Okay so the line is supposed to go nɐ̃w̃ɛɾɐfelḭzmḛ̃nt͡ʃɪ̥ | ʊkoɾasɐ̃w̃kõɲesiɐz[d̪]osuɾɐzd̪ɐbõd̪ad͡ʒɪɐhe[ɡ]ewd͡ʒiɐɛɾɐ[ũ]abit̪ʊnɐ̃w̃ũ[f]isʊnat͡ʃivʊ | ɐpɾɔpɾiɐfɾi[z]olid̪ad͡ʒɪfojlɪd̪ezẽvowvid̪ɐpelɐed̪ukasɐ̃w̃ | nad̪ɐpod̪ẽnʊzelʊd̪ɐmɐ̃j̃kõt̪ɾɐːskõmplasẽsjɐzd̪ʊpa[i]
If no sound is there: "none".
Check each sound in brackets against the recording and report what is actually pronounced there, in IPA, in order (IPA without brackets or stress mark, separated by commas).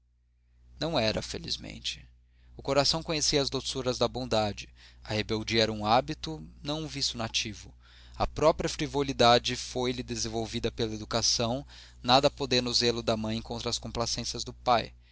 d̪, b, ũ, v, v, j